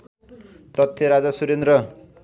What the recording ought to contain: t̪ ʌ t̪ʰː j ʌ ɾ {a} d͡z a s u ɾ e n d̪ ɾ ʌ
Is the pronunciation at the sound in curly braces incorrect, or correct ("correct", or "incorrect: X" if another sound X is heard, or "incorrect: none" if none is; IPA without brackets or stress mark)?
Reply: correct